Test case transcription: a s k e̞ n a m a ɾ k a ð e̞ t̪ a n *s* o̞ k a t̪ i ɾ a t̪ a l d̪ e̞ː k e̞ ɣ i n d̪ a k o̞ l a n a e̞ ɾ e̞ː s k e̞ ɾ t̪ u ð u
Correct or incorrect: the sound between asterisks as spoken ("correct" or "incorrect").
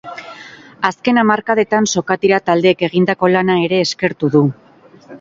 correct